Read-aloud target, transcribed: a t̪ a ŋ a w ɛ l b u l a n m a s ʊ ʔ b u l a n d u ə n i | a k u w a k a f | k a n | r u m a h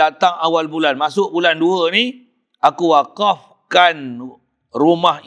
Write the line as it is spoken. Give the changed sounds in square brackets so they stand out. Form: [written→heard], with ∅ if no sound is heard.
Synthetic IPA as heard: a t̪ a ŋ a w [ɛ→a] l b u l a n m a s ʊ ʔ b u l a n d u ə n i | a k u w a k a f | k a n | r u m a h